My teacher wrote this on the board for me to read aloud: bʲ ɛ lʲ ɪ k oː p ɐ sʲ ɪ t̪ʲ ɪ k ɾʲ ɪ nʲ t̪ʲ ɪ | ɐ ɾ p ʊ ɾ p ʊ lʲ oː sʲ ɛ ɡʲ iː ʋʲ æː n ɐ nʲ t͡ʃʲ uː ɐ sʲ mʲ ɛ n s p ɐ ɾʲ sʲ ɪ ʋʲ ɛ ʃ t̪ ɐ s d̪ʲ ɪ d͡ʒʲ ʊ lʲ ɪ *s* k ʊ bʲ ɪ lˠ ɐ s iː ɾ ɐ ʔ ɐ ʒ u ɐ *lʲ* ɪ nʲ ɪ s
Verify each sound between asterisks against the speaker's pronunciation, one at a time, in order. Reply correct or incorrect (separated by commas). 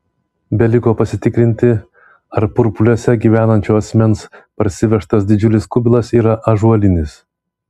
correct, correct